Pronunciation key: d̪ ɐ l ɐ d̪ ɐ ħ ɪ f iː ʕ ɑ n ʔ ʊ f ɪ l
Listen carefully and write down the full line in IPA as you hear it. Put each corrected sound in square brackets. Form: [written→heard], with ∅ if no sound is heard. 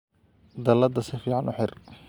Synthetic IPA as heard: d̪ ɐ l ɐ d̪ ɐ [ħ→s] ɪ f iː ʕ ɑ n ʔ ʊ [f→ħ] ɪ [l→r]